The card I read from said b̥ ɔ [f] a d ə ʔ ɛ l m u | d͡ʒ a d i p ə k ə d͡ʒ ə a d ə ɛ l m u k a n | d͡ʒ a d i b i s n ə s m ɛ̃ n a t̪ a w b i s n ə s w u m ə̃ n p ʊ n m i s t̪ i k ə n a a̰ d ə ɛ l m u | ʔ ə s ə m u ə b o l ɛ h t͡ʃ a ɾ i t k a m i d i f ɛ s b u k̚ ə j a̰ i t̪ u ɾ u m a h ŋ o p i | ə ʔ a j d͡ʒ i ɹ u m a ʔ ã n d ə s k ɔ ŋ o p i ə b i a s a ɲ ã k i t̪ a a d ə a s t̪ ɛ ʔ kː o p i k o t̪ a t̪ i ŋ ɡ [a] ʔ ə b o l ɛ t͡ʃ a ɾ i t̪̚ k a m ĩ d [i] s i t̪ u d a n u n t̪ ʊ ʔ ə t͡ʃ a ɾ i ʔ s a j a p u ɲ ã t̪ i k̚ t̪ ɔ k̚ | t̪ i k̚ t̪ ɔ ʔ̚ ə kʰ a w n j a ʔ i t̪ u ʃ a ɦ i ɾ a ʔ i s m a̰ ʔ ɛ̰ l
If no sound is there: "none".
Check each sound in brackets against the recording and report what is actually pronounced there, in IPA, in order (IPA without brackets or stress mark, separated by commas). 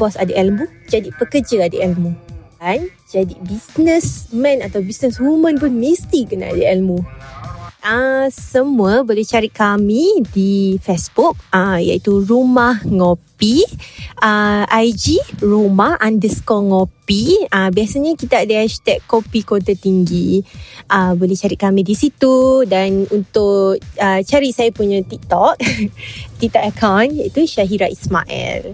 s, i, i